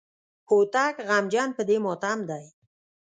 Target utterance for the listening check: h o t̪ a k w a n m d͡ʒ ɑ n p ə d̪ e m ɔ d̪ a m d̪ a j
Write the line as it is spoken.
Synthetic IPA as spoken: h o t̪ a k ɣ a m d͡ʒ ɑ n p ə d̪ e m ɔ t̪ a m d̪ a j